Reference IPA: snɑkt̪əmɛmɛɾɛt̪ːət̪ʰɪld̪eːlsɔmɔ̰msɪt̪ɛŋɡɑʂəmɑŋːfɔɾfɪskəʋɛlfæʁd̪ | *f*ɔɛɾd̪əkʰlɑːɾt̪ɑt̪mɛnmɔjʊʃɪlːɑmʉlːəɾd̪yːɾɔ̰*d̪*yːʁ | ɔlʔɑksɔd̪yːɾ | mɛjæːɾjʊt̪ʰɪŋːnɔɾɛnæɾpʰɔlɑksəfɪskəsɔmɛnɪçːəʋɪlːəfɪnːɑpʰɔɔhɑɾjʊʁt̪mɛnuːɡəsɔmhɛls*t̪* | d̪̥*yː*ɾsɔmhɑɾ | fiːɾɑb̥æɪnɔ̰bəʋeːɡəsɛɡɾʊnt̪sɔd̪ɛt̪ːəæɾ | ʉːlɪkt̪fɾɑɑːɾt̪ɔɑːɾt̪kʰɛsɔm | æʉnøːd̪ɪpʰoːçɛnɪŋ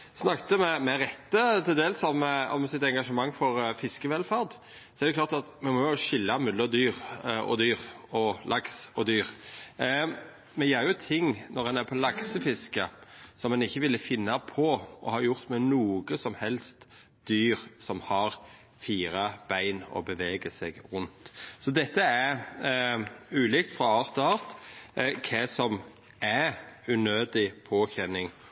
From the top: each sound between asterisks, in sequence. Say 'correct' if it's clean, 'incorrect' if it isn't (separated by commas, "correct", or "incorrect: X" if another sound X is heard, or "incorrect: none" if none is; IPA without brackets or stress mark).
incorrect: s, correct, correct, correct